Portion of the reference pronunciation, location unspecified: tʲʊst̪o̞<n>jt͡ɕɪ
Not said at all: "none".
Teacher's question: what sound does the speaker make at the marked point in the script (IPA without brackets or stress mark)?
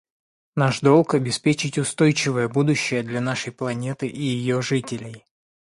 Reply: none